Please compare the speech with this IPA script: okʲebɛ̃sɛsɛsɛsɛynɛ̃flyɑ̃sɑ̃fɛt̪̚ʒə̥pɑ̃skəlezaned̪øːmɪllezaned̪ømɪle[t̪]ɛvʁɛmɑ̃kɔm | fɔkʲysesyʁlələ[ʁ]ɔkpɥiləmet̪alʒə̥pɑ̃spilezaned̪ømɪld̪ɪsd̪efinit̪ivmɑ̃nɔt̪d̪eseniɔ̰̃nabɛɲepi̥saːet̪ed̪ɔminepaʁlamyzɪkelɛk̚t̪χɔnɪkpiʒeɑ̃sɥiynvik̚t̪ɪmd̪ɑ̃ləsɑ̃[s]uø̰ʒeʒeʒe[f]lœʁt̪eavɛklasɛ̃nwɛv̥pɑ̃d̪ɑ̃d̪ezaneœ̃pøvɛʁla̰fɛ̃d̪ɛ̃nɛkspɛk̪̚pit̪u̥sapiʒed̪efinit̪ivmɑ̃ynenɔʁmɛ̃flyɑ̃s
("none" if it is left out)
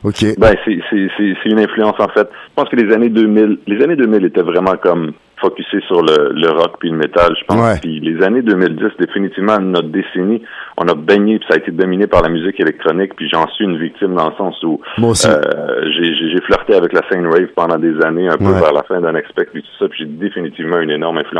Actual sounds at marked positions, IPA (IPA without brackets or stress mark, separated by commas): t̪, ʁ, s, f